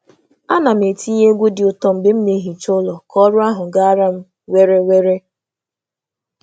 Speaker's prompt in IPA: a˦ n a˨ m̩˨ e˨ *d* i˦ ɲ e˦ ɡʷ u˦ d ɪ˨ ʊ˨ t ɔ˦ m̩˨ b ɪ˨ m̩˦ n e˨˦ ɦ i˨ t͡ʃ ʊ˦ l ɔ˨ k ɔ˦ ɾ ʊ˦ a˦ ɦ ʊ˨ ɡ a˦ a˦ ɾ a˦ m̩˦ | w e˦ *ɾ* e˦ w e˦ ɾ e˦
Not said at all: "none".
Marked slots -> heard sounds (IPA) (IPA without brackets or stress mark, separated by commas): t, ɾ